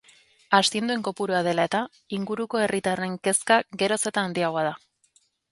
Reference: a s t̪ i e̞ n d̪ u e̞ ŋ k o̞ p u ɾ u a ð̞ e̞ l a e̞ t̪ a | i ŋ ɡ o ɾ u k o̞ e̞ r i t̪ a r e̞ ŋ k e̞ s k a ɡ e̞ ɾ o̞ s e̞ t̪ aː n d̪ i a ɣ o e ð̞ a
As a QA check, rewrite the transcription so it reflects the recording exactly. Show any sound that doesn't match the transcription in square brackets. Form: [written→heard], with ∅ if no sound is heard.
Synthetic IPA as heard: a s t̪ i e̞ n d̪ u e̞ ŋ k o̞ p u ɾ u a ð̞ e̞ l a e̞ t̪ a | i ŋ ɡ [o→u] ɾ u k o̞ e̞ r i t̪ a r e̞ ŋ k e̞ s k a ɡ e̞ ɾ o̞ s e̞ t̪ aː n d̪ i a ɣ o [e→a] ð̞ a